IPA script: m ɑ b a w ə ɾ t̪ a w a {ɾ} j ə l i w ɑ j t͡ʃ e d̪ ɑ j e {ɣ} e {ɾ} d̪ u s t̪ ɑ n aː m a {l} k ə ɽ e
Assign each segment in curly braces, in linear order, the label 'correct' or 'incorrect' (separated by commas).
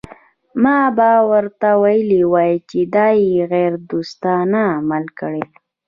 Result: incorrect, correct, correct, correct